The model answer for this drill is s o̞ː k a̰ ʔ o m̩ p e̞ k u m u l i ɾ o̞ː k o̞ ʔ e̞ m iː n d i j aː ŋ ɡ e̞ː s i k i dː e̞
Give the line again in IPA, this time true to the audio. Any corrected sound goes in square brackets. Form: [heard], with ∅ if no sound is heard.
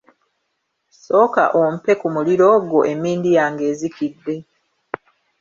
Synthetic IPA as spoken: s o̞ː k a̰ ʔ o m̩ p e̞ k u m u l i ɾ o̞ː [ɡ] o̞ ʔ e̞ m iː n d i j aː ŋ ɡ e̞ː [z] i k i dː e̞